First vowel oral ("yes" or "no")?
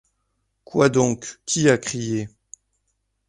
yes